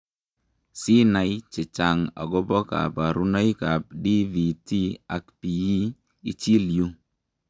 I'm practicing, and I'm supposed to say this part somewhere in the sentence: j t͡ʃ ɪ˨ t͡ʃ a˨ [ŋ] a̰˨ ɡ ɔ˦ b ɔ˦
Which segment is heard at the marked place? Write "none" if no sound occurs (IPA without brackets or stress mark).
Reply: ŋ